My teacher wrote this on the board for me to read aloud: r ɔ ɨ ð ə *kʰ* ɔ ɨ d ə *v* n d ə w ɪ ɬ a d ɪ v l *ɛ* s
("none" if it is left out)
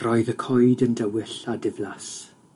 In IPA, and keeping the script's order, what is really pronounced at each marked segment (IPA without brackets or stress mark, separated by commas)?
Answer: kʰ, none, a